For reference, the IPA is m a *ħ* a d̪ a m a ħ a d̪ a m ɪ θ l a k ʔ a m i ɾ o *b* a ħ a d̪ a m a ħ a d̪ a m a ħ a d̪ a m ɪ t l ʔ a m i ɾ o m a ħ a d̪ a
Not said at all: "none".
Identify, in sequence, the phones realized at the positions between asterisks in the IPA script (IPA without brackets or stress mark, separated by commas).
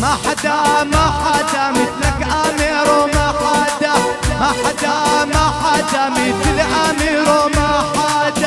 ħ, m